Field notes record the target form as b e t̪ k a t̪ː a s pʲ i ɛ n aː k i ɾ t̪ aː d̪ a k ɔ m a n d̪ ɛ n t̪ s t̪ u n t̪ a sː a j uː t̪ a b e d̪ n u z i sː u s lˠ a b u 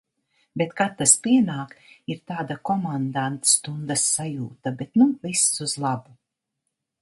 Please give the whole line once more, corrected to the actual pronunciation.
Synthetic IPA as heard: b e t̪ k a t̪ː a s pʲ i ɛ n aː k i ɾ t̪ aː d̪ a k ɔ m a n d̪ a n t̪ s t̪ u n d̪ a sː a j uː t̪ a b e t̪ n u v i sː u z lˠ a b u